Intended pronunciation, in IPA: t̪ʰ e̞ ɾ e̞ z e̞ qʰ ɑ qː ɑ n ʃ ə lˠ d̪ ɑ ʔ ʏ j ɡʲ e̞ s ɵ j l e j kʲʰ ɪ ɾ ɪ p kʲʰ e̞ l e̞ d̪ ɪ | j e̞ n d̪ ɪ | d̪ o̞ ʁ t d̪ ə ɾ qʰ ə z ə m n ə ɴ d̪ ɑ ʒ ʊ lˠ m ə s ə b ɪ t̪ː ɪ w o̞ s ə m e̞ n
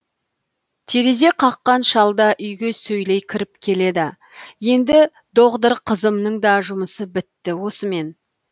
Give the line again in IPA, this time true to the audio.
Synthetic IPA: t̪ʰ e̞ ɾ e̞ z e̞ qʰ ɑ qː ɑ n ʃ ɑ lˠ d̪ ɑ ʔ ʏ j ɡʲ e̞ s ɵ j l e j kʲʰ ɪ ɾ ɪ p kʲʰ e̞ l e̞ d̪ ɪ | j e̞ n d̪ ɪ | d̪ o̞ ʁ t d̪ ə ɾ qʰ ə z ə m n ə ɴ d̪ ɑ ʒ ʊ m ə s ə b ɪ t̪ː ɪ w o̞ s ə m e̞ n

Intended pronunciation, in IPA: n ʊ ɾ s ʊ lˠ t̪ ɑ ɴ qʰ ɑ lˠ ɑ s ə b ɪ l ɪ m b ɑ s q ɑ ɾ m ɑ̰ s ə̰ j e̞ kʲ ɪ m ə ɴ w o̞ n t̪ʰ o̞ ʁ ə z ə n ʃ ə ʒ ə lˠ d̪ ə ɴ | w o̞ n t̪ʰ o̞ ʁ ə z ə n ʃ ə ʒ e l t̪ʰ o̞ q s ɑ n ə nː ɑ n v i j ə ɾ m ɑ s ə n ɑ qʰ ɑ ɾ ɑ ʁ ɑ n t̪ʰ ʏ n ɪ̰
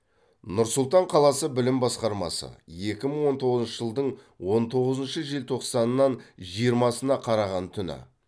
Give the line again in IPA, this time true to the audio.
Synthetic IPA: n ʊ ɾ s ʊ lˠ t̪ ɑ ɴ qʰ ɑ lˠ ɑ s ə b ɪ l ɪ m b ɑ s q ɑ ɾ m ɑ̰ s ə̰ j e̞ kʲ ɪ m ə ɴ w o̞ n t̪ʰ o̞ ʁ ə z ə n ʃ ə ʒ ə lˠ d̪ ə ɴ | w o̞ n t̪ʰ o̞ ʁ ə z ə n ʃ ə ʒ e l t̪ʰ o̞ q s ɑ n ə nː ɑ n ʒ i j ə ɾ m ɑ s ə n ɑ qʰ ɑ ɾ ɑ ʁ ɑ n t̪ʰ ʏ n ɪ̰

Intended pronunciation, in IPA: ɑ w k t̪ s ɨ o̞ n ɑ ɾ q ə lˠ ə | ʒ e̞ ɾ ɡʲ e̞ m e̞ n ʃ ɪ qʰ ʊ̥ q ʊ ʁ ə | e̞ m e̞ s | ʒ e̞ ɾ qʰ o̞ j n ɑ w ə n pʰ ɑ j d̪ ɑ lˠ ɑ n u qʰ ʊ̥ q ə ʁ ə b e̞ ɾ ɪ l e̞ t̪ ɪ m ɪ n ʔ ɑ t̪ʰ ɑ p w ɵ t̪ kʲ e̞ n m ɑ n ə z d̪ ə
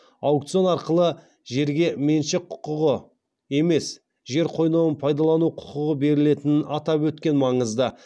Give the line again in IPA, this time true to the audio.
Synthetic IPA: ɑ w k t̪ s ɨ o̞ n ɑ ɾ q ə lˠ ə | ʒ e̞ ɾ ɡʲ e̞ m e̞ n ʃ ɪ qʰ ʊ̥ q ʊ ʁ ə | e̞ m e̞ s | ʒ e̞ ɾ qʰ o̞ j n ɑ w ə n pʰ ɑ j d̪ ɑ lˠ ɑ n u qʰ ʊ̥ q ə ʁ ə b e̞ ɾ ɪ l e̞ t̪ ɪ n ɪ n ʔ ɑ t̪ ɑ p w ɵ t̪ kʲ e̞ n m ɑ ɴ ə z d̪ ə

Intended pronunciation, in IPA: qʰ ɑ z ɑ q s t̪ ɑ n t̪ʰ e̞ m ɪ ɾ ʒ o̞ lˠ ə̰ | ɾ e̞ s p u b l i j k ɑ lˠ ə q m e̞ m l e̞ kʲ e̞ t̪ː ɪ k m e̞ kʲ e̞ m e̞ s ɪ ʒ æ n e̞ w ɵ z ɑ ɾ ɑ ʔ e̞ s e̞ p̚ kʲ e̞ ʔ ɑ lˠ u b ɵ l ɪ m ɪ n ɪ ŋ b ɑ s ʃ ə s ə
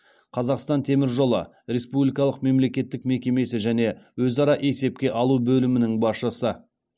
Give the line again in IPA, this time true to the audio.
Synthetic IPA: qʰ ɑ z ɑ q s t̪ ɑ n t̪ʰ e̞ m ɪ ɾ ʒ o̞ lˠ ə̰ | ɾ e̞ s p u b l i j k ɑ lˠ ə q m e̞ m l e̞ kʲ e̞ t̪ː ɪ k m e̞ kʲ e̞ m e̞ s ɪ ʒ æ n e̞ w ɵ z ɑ ɾ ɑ ʔ e̞ s e̞ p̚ kʲ e̞ ʔ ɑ lˠ u b ɵ l ɪ m ɪ n ɪ ŋ b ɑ s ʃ ə s ə

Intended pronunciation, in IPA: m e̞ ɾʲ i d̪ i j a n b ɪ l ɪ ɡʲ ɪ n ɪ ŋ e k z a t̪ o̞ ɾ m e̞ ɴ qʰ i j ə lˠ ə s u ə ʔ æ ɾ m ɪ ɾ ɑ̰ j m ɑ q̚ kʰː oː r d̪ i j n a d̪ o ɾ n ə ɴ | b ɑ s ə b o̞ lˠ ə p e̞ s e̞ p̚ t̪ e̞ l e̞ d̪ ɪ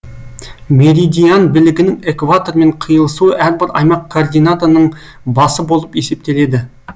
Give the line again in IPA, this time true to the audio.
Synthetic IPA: m e̞ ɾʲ i d̪ i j a n b ɪ l ɪ ɡʲ ɪ n ɪ ŋ e k v a t̪ o̞ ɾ m e̞ ɴ qʰ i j ə lˠ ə s u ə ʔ æ ɾ b ɪ ɾ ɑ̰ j m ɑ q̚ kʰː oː r d̪ i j n a t̪ o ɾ n ə ɴ | b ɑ s ə b o̞ lˠ ə p e̞ s e̞ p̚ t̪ e̞ l e̞ d̪ ɪ

